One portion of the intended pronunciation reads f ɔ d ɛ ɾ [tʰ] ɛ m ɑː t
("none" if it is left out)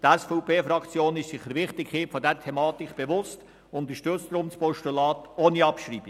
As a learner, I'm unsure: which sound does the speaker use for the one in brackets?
tʰ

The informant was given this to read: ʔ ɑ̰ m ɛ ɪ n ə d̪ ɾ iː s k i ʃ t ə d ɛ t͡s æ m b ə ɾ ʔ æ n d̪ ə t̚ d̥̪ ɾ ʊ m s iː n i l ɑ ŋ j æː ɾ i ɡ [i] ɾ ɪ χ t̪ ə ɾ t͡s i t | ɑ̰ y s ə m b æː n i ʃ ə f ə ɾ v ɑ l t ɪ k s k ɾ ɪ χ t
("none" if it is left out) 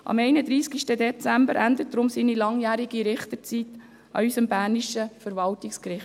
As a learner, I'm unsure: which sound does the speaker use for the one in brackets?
i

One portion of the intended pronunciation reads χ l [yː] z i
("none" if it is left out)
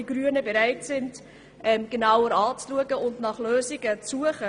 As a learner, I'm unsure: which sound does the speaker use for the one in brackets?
øː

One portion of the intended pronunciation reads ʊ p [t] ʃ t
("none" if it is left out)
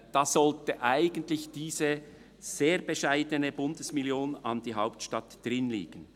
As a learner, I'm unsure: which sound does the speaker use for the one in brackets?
t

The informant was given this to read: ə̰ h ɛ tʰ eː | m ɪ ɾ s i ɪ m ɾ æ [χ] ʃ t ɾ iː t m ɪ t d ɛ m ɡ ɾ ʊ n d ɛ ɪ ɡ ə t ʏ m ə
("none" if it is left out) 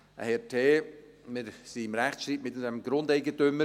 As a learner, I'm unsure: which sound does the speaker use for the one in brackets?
χ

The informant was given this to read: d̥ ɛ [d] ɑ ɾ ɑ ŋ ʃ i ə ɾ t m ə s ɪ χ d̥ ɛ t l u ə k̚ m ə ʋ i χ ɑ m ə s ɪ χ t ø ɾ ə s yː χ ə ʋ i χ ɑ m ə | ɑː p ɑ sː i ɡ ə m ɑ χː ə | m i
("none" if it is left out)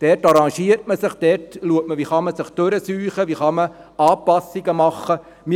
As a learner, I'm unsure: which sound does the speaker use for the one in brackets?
t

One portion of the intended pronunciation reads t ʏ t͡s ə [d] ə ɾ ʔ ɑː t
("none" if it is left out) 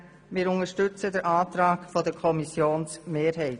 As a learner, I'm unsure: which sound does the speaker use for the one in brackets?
d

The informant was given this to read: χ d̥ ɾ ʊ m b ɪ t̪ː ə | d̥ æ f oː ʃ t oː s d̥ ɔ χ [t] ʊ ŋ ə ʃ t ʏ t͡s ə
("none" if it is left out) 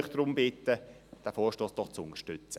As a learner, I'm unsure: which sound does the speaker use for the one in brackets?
t͡s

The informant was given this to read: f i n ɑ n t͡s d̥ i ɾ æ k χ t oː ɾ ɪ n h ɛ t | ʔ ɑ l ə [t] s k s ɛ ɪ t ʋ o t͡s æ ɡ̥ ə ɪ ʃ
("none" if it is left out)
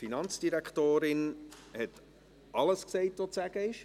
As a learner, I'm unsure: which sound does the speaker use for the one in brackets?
none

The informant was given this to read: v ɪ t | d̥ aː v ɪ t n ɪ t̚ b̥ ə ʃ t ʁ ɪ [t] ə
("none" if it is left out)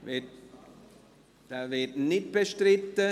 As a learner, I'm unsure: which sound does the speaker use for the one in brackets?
t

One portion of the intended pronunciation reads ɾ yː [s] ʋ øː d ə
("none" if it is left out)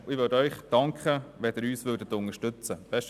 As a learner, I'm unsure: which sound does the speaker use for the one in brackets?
s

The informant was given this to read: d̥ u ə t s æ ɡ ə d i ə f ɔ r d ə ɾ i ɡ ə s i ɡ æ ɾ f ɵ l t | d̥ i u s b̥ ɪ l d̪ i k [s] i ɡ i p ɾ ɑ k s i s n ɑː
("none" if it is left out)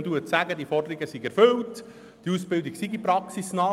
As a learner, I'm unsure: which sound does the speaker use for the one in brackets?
s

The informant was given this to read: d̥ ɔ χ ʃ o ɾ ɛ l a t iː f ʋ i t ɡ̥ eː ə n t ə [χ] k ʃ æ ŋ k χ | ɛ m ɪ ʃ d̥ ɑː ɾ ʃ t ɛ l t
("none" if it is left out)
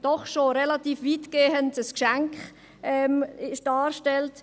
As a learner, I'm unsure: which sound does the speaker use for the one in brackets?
s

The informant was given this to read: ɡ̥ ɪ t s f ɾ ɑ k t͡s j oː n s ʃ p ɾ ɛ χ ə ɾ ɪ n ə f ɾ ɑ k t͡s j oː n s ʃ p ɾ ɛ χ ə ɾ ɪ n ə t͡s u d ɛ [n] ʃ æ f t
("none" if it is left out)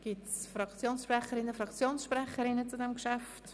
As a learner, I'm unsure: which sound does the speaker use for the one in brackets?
m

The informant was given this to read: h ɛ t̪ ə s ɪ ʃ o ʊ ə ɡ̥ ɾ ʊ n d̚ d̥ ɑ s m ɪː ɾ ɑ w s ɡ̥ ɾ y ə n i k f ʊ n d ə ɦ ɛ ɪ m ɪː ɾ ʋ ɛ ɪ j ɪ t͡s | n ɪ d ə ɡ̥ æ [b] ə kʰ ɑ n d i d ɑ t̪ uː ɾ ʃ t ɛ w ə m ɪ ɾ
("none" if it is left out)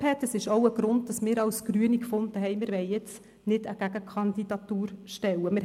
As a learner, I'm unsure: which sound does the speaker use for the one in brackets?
ɡ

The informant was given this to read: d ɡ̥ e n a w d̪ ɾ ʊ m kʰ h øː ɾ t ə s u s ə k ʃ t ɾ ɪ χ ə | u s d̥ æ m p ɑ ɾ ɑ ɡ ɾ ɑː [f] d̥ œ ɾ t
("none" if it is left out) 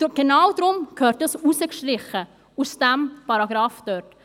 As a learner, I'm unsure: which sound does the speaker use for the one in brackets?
f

